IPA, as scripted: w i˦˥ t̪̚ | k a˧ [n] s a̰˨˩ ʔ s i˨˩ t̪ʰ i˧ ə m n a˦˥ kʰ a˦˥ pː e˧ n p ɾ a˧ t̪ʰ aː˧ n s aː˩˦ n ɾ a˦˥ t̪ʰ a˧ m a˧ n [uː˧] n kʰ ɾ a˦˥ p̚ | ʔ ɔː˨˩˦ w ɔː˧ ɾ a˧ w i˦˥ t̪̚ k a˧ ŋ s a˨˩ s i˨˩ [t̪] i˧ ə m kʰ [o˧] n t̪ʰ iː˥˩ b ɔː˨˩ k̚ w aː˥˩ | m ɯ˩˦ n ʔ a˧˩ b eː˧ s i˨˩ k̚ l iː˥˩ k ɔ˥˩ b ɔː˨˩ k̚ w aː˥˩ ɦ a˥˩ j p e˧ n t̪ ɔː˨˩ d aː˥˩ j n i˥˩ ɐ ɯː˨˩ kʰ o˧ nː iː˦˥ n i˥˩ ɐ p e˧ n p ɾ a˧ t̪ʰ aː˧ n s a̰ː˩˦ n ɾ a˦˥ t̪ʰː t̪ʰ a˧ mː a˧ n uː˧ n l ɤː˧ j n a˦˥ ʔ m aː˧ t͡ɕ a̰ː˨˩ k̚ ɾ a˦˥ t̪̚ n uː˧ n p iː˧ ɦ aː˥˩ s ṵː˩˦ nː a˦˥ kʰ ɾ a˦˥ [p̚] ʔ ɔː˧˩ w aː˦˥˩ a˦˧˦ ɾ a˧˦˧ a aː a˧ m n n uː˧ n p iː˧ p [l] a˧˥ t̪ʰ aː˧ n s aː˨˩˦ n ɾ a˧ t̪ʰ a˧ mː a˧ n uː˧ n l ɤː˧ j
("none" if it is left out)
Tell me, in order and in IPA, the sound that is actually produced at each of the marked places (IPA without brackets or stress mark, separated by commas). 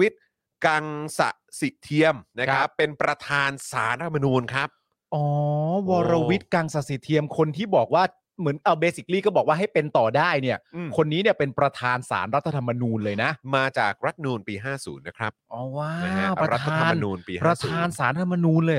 ŋ, uː˧, t̪ʰ, o˧, p̚, ɾ